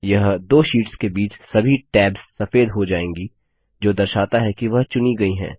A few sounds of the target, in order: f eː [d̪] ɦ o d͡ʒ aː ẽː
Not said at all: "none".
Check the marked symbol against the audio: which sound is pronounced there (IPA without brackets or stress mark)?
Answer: d̪